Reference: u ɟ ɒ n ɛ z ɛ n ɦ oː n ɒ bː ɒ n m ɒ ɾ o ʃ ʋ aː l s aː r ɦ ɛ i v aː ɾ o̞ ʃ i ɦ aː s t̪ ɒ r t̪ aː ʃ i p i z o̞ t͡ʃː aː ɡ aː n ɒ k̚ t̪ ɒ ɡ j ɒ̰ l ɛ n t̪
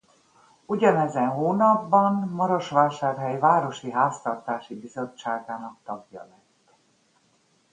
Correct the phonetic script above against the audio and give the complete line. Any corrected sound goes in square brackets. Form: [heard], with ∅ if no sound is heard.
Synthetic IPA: u ɟ ɒ n ɛ z ɛ n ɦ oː n ɒ bː ɒ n m ɒ ɾ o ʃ ʋ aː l [ʃ] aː r ɦ ɛ [j] v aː ɾ o̞ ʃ i ɦ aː s t̪ ɒ r t̪ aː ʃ i [b] i z o̞ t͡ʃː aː ɡ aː n ɒ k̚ t̪ ɒ ɡ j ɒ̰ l ɛ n t̪